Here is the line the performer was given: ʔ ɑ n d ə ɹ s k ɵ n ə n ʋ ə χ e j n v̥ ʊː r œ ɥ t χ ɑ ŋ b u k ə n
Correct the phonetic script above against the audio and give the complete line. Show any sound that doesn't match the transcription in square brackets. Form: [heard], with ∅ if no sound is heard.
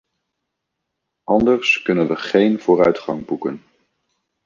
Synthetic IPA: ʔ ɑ n d ə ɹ s k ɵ n ə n ʋ ə χ e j n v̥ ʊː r œ ɥ t χ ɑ ŋ b u k ə n